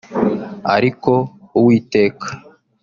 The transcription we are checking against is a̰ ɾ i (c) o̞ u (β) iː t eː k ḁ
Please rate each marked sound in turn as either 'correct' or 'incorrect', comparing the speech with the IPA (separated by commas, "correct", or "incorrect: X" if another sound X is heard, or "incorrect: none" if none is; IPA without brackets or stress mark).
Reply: incorrect: k, incorrect: w